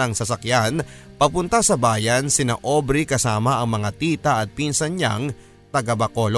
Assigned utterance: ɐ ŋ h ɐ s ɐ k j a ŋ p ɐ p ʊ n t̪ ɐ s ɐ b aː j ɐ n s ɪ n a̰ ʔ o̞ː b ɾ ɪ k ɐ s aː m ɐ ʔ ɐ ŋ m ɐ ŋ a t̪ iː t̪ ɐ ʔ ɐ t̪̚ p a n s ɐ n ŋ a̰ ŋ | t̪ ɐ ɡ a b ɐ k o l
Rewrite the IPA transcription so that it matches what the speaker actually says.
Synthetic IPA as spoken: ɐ ŋ s ɐ s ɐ k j a n p ɐ p ʊ n t̪ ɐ s ɐ b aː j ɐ n s ɪ n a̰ ʔ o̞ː b ɾ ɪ k ɐ s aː m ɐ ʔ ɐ ŋ m ɐ ŋ a t̪ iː t̪ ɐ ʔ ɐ t̪̚ p i n s ɐ n ɲ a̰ ŋ | t̪ ɐ ɡ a b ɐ k o l